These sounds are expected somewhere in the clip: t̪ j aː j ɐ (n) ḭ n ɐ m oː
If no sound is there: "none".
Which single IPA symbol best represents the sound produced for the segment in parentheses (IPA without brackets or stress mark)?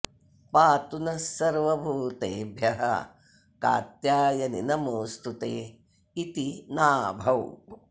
n